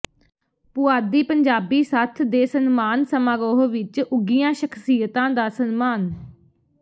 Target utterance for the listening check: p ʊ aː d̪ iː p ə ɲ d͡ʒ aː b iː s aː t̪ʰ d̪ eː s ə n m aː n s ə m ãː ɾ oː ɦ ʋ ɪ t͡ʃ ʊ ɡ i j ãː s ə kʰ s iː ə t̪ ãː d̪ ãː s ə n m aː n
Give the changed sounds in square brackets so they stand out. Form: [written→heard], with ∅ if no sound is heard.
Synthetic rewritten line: p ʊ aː d̪ iː p ə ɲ d͡ʒ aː b iː s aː t̪ʰ d̪ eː s ə n m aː n s ə m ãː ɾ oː ɦ ʋ ɪ t͡ʃ ʊ ɡ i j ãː [s→ʃ] ə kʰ s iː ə t̪ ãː d̪ [ãː→aː] s ə n m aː n

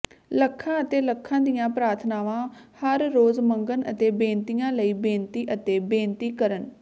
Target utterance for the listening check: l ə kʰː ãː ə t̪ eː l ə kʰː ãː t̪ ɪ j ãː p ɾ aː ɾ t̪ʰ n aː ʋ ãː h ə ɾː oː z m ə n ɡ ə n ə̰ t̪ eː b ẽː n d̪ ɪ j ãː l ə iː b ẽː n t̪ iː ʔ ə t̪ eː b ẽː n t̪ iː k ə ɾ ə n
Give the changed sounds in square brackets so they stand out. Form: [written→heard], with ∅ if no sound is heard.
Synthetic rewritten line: l ə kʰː ãː ə t̪ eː l ə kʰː ãː [t̪→d̪] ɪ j ãː p ɾ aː ɾ t̪ʰ n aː ʋ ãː h ə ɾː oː z m ə [n→ŋ] ɡ ə n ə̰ t̪ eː b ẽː n [d̪→t̪] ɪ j ãː l ə iː b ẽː n t̪ iː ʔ ə t̪ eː b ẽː n t̪ iː k ə ɾ ə n

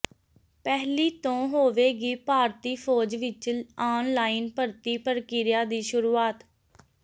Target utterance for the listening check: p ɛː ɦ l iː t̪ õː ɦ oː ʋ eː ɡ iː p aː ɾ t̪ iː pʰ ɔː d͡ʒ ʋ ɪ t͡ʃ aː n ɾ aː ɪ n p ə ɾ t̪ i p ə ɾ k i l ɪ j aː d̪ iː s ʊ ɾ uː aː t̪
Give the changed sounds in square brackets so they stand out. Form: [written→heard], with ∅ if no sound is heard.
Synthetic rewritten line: p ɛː ɦ l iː t̪ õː ɦ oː ʋ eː ɡ iː p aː ɾ t̪ iː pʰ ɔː d͡ʒ ʋ ɪ t͡ʃ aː n [ɾ→l] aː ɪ n p ə ɾ t̪ [i→iː] p ə ɾ k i [l→ɾ] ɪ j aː d̪ iː [s→ʃ] ʊ ɾ uː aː t̪

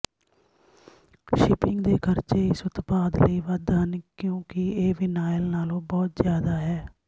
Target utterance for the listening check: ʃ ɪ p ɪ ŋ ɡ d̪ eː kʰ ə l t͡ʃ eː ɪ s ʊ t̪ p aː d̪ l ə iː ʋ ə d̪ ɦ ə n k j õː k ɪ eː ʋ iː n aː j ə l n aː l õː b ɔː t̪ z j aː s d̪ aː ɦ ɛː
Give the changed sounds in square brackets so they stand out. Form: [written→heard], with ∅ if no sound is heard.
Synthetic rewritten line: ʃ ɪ p ɪ ŋ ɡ d̪ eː kʰ ə [l→ɾ] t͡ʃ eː ɪ s ʊ t̪ p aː d̪ l ə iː ʋ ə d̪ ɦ ə n k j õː k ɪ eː ʋ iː n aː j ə l n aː l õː b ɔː t̪ z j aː [s→∅] d̪ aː ɦ ɛː

